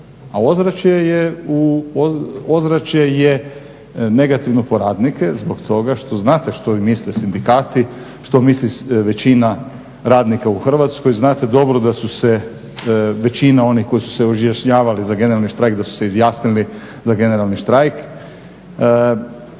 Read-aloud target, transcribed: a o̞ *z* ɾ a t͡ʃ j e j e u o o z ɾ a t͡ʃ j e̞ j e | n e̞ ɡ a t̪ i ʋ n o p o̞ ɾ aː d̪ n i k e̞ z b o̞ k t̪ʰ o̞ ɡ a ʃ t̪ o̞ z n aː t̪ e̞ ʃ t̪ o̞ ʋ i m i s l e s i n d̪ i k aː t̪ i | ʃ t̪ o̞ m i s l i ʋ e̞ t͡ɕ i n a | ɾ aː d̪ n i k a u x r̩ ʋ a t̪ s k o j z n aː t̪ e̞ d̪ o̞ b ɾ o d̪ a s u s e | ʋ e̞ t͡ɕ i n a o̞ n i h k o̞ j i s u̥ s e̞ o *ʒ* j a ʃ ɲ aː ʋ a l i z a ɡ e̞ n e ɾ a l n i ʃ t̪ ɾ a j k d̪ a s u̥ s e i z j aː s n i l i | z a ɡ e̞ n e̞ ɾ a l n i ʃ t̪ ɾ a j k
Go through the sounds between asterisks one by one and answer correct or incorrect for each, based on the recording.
correct, correct

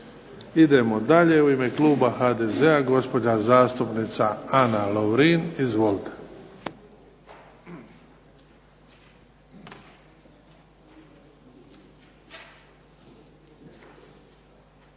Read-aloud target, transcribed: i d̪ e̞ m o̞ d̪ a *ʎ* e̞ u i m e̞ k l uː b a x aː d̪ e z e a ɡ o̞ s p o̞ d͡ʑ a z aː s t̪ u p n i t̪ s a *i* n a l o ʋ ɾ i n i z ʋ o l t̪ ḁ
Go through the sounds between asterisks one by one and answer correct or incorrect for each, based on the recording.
correct, incorrect

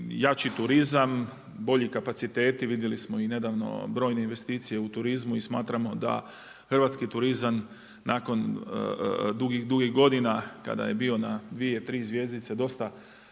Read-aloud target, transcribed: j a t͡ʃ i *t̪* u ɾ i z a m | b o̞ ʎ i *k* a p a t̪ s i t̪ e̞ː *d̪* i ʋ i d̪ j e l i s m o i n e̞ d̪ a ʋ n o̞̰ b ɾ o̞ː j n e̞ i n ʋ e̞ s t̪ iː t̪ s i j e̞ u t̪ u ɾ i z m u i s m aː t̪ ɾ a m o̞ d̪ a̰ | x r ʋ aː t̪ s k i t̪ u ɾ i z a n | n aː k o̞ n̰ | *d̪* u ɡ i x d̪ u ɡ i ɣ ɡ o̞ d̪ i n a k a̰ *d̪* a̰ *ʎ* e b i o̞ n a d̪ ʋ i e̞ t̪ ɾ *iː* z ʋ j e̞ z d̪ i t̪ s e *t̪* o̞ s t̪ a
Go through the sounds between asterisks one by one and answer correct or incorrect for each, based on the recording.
correct, correct, incorrect, correct, correct, incorrect, correct, incorrect

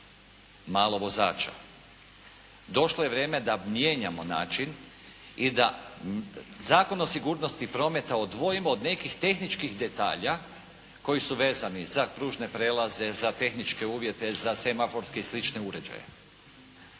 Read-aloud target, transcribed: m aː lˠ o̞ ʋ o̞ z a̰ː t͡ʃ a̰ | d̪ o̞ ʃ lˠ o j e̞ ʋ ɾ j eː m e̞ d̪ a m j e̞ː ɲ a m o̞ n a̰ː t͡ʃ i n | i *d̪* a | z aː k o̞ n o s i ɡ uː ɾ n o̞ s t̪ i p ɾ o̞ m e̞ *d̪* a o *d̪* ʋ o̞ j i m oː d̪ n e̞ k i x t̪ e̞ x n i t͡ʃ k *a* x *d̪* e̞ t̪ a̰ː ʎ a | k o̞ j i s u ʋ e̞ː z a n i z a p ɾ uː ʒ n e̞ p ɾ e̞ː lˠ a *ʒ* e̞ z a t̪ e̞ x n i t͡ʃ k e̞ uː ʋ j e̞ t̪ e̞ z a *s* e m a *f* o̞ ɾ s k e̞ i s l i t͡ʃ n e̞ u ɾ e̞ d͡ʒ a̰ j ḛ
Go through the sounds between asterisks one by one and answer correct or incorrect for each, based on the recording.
correct, incorrect, correct, incorrect, correct, incorrect, correct, correct

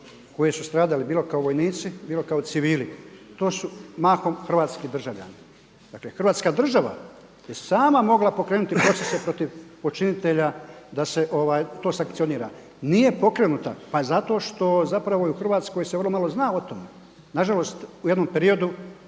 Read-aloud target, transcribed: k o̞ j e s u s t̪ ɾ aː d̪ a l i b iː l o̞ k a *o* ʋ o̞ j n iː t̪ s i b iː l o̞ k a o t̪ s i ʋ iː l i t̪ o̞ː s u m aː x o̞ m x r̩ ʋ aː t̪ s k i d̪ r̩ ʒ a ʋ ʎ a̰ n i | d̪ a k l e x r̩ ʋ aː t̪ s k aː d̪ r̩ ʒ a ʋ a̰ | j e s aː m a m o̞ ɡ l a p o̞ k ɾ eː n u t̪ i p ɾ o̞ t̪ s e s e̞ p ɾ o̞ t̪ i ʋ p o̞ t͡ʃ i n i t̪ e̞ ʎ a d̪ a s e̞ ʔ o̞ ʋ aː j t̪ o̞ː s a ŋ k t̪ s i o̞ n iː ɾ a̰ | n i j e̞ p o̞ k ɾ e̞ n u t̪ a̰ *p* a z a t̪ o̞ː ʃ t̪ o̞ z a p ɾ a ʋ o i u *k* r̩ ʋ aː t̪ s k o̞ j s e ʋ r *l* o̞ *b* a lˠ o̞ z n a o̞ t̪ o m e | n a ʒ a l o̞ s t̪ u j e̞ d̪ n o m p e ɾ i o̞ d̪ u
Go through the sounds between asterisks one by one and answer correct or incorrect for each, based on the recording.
correct, correct, incorrect, correct, incorrect

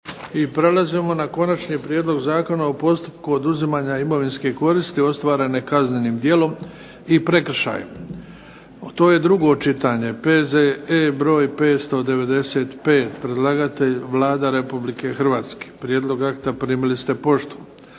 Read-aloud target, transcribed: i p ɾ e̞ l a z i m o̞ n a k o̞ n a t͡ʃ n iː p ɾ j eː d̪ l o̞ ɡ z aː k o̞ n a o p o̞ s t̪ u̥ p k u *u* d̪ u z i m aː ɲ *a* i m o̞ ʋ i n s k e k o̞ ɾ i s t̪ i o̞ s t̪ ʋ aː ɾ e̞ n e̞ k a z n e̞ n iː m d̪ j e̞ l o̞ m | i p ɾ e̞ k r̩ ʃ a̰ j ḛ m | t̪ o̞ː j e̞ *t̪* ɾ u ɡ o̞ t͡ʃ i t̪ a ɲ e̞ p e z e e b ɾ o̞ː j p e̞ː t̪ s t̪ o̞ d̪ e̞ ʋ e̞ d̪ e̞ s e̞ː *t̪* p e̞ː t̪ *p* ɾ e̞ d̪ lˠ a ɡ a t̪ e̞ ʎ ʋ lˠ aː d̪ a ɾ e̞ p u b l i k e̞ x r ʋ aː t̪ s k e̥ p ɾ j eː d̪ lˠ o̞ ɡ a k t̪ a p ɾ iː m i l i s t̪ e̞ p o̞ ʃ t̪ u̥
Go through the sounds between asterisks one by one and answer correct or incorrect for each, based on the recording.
incorrect, correct, incorrect, correct, correct

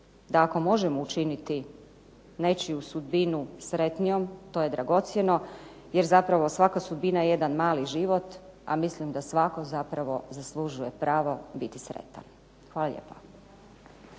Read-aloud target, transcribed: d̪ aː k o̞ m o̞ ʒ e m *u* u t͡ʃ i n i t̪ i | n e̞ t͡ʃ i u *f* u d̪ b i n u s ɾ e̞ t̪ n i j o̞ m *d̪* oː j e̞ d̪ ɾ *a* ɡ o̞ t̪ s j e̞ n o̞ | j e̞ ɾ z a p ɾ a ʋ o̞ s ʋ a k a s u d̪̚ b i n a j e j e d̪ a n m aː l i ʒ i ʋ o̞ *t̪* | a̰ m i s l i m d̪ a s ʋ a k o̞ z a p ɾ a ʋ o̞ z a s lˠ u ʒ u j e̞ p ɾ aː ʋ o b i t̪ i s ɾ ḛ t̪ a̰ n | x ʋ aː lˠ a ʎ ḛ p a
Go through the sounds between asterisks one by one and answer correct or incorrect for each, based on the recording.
incorrect, incorrect, incorrect, correct, correct

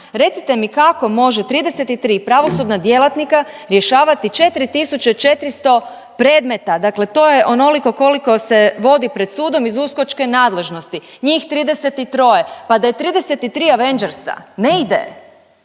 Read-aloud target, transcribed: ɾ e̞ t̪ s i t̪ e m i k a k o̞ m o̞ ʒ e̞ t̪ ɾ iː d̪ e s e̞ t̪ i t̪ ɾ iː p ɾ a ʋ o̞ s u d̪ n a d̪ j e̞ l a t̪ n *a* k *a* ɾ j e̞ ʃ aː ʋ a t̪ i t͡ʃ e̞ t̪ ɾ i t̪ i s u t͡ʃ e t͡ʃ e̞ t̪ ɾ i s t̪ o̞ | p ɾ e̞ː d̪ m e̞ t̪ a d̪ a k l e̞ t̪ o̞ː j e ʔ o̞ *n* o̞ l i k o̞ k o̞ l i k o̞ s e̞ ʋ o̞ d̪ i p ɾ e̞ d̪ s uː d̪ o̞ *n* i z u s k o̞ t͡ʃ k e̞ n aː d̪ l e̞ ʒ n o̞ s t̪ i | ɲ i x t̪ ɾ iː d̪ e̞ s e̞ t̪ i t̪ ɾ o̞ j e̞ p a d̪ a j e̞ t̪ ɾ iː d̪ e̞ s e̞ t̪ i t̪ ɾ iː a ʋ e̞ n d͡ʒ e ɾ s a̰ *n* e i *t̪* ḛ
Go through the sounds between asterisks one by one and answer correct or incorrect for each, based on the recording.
incorrect, correct, correct, incorrect, correct, incorrect

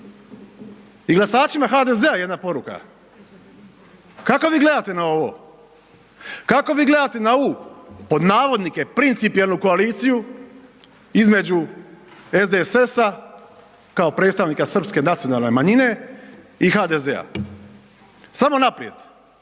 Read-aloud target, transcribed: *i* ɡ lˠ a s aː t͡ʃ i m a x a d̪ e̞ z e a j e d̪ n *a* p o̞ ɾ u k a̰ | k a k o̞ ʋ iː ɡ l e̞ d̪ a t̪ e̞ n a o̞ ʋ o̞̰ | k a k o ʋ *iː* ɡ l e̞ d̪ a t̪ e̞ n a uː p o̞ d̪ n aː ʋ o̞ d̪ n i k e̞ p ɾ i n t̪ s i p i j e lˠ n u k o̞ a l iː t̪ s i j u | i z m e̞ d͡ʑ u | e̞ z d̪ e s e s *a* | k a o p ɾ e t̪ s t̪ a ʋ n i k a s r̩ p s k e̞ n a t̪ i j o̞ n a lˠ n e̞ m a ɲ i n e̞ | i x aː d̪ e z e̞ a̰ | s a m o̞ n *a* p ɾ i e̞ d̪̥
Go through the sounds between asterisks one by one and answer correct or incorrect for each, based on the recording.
correct, correct, correct, correct, correct

